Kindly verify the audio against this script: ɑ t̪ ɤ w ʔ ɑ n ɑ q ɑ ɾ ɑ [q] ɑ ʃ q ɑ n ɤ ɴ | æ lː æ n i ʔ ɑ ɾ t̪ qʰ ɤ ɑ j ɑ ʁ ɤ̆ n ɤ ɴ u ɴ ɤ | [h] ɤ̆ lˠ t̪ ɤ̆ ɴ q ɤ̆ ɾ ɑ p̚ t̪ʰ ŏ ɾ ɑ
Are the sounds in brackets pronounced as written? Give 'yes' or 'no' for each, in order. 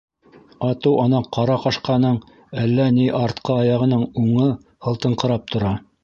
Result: yes, yes

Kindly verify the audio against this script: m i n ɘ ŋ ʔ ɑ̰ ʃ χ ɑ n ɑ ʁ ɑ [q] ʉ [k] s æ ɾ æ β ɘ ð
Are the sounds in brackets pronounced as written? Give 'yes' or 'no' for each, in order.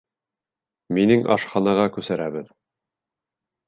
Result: no, no

